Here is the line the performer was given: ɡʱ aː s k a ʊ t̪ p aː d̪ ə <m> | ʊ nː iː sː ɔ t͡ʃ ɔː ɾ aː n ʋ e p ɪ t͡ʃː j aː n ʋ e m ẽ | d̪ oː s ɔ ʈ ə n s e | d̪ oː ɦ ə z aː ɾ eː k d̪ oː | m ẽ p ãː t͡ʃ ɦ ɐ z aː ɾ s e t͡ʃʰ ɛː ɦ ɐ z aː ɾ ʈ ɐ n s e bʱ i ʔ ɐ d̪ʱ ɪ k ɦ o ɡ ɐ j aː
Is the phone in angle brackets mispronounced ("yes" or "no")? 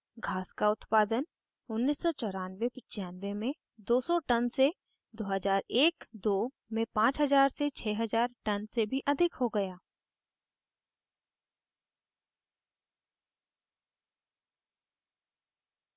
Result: yes